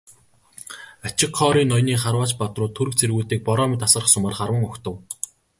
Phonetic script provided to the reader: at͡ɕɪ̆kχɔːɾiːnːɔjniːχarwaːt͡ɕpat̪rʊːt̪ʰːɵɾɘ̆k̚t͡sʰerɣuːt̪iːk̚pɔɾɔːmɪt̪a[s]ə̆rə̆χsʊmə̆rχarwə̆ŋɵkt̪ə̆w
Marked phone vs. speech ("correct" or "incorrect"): correct